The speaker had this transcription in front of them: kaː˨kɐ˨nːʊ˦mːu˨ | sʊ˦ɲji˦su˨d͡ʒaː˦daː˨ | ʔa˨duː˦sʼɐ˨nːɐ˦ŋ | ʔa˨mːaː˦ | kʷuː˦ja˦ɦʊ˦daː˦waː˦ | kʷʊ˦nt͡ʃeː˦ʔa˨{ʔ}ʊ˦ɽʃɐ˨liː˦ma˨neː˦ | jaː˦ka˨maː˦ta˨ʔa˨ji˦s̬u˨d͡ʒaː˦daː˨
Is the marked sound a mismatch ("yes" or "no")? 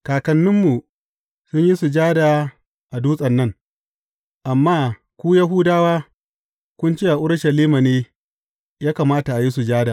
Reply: no